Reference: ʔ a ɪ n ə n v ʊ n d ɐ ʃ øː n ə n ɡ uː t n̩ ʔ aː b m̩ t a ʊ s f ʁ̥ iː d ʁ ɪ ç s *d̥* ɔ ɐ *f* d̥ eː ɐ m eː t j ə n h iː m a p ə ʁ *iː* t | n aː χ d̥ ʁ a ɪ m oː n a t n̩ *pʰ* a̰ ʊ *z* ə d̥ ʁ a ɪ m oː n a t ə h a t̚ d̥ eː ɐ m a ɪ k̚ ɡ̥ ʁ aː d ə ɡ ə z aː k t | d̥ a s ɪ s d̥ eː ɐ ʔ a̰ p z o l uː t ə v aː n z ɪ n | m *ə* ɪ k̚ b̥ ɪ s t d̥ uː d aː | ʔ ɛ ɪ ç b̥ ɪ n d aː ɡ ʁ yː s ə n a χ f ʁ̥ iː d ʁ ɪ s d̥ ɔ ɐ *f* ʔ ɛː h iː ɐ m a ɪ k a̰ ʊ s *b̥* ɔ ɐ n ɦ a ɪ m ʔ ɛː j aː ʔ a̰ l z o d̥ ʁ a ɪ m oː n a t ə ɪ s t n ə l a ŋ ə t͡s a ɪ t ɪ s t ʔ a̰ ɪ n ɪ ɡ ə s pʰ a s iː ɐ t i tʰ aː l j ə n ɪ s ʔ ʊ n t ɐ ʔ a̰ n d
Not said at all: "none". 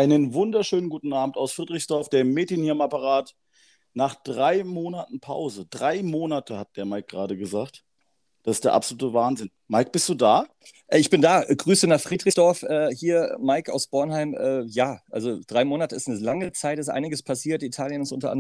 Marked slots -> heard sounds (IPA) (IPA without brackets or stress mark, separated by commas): d̥, f, aː, pʰ, z, a, f, b̥